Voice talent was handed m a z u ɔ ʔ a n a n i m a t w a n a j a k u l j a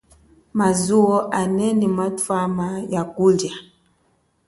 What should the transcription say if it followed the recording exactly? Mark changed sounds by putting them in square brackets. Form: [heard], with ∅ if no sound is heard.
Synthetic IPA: m a z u ɔ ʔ a n [ɛ] n i m a t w a [m] a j a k u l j a